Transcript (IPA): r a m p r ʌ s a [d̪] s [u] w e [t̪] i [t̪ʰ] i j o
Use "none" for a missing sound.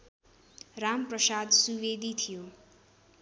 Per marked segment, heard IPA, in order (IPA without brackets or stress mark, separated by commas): d̪, u, d̪, t̪ʰ